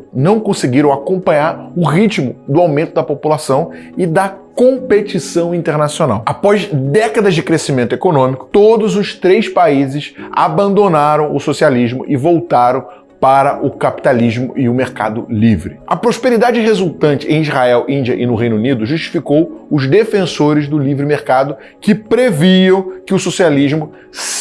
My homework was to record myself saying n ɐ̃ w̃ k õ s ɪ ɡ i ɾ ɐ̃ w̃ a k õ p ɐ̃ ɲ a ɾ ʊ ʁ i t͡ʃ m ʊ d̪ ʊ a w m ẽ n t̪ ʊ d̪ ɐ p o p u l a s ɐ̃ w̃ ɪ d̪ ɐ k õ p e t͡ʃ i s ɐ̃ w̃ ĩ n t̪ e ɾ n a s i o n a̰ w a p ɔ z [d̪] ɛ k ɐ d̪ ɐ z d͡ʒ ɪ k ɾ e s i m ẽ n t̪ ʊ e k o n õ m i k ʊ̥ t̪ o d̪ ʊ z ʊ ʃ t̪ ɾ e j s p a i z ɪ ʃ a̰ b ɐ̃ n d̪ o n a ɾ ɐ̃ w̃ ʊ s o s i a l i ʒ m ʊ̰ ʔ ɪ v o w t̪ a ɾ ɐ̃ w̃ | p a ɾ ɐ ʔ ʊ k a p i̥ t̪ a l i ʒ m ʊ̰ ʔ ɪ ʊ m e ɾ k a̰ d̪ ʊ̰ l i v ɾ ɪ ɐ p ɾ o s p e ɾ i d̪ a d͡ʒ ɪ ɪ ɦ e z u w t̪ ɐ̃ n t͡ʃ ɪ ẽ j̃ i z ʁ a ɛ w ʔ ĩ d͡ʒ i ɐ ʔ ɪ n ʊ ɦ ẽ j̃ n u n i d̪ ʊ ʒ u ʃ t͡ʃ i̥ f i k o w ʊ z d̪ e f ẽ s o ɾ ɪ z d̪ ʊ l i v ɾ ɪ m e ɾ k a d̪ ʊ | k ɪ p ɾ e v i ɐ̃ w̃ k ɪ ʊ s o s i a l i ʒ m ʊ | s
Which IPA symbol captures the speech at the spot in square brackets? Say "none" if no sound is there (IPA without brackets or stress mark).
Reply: d̪